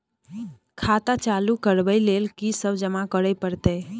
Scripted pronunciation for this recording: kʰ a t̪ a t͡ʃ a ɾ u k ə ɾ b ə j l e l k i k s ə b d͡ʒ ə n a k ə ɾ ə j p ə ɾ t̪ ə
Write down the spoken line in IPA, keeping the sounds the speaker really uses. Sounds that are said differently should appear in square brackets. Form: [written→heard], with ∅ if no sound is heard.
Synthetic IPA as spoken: kʰ a t̪ a t͡ʃ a [ɾ→l] u k ə ɾ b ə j l e l k i [k→∅] s ə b d͡ʒ ə [n→m] a k ə ɾ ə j p ə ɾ t̪ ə